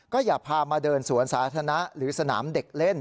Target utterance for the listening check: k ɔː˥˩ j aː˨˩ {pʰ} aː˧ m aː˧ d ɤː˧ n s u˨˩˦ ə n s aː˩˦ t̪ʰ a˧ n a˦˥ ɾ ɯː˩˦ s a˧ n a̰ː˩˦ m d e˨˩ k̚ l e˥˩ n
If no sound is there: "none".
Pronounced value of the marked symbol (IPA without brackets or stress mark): pʰ